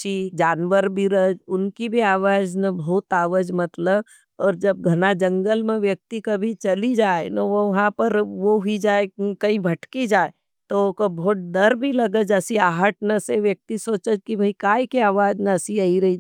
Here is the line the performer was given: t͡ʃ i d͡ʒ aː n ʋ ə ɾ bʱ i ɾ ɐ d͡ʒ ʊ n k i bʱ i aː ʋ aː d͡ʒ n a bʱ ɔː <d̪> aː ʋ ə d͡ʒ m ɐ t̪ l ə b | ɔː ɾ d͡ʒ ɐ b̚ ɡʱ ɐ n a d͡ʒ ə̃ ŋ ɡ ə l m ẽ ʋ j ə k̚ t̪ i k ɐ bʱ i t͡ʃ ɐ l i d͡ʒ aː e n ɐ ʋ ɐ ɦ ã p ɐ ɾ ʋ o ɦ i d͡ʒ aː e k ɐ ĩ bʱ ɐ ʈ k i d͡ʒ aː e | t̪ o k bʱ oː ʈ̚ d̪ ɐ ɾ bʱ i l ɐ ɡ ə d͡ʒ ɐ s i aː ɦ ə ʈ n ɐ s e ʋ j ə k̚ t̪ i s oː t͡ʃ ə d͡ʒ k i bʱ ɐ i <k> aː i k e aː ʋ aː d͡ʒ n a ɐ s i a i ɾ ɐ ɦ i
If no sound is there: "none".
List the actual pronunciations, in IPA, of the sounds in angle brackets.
t̪, k

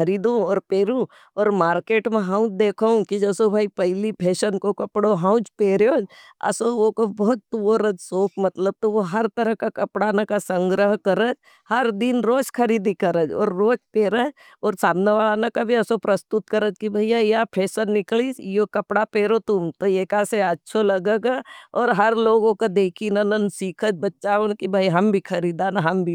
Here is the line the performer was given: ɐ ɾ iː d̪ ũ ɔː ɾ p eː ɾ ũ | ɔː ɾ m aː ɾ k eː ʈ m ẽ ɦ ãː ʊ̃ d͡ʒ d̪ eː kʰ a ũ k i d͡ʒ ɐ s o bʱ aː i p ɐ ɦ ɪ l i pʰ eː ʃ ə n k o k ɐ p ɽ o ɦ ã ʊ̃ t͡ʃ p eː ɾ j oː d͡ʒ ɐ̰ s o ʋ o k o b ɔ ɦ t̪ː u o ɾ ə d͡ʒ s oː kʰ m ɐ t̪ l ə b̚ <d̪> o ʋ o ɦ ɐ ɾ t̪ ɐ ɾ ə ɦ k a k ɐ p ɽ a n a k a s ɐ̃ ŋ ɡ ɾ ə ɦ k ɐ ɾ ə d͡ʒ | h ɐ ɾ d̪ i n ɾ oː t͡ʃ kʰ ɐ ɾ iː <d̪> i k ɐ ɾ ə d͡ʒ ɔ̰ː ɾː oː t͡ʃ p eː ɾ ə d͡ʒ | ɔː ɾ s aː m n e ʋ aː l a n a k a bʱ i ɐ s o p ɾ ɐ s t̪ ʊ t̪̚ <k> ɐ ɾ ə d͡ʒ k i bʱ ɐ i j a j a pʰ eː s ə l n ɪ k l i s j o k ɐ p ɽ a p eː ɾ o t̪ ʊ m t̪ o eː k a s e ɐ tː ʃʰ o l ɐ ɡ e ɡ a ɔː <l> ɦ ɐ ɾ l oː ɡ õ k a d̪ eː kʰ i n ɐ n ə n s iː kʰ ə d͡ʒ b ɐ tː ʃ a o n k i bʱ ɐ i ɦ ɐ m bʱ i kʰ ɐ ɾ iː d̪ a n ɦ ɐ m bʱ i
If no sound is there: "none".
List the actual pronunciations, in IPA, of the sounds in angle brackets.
t̪, d̪, k, ɾ

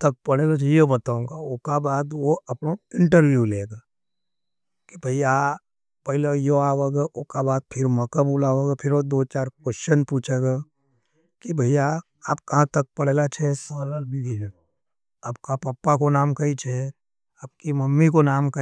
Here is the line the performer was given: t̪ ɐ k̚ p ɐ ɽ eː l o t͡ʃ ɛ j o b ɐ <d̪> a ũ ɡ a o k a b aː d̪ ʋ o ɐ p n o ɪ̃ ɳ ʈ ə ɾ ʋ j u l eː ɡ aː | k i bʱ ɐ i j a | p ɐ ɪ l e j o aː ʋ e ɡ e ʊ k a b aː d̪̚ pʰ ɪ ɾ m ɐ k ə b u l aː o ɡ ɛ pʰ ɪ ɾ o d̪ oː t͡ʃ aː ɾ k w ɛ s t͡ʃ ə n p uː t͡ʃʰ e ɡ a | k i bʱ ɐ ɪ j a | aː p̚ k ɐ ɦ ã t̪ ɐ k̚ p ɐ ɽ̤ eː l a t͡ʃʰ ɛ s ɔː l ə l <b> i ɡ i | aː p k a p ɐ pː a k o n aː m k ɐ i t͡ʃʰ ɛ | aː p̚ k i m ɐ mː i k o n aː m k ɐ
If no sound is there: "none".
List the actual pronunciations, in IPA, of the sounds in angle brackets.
t̪, b

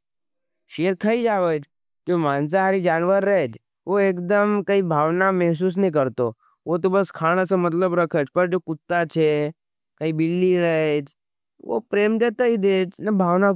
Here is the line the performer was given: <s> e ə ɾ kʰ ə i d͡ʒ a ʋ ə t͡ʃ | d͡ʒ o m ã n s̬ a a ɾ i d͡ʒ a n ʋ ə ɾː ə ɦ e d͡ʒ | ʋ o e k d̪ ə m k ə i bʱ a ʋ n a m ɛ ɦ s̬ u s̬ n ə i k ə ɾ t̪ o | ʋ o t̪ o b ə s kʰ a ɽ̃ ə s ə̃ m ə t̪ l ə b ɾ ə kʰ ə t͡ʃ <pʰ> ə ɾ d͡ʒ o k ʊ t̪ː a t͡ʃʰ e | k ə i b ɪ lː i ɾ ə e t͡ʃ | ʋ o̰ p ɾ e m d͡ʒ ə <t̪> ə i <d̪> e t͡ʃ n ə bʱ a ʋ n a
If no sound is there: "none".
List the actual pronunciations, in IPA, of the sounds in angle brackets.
ʃ, p, t̪, d̪

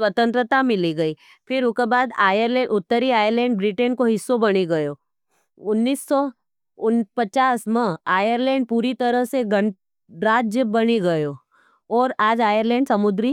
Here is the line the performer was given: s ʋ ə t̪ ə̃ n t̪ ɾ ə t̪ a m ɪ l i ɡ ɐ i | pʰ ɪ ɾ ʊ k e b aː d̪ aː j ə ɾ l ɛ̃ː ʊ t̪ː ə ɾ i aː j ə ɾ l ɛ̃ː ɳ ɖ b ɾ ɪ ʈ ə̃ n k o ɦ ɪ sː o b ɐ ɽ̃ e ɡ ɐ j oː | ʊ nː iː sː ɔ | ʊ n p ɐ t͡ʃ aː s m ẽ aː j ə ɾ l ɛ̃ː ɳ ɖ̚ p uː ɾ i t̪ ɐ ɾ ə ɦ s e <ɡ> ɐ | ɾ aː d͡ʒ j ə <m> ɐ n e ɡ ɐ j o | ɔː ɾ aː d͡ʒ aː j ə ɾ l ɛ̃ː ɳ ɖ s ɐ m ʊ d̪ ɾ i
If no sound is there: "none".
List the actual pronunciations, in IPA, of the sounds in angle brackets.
ɡ, b

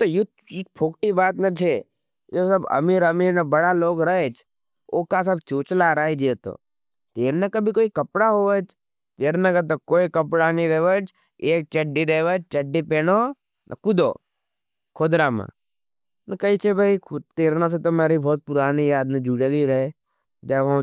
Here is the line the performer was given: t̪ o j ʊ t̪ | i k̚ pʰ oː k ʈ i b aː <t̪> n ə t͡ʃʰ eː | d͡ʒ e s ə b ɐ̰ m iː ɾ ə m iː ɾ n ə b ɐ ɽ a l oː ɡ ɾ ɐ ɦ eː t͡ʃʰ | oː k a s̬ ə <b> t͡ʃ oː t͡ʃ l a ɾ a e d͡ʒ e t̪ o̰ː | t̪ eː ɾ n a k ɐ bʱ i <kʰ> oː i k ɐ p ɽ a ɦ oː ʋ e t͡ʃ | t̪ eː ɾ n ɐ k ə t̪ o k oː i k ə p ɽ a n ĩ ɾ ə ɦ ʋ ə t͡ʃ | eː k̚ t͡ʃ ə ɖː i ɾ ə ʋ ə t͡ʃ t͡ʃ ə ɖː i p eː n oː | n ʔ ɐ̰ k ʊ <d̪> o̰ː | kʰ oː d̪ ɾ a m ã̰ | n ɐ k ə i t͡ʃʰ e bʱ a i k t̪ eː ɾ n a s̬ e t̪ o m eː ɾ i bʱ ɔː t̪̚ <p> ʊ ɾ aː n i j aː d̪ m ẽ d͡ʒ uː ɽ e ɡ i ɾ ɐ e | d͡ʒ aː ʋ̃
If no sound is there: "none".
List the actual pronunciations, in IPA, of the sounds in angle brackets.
t̪, b, k, d̪, p

